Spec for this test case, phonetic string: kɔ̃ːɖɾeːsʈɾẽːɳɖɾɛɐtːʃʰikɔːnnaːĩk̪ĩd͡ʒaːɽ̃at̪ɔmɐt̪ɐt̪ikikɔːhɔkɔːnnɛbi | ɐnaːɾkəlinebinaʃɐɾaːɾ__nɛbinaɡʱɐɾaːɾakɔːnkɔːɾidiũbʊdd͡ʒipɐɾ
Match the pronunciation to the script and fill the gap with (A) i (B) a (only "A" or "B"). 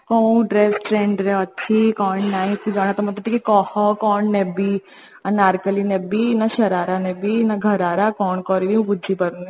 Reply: B